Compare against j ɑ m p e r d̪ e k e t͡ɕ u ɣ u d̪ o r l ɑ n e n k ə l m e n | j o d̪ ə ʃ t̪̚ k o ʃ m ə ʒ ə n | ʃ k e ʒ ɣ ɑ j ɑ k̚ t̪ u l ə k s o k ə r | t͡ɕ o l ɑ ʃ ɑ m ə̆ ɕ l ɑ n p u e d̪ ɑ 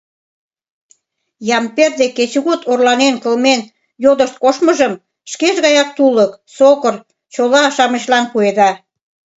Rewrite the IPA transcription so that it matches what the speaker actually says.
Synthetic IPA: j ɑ m p e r d̪ e k e t͡ɕ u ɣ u t̪ o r l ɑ n e n k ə l m e n | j o d̪ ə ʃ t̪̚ k o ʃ m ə ʒ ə m | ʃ k e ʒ ɣ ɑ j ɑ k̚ t̪ u l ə k s o k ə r | t͡ɕ o l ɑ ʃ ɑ m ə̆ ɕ l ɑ n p u e d̪ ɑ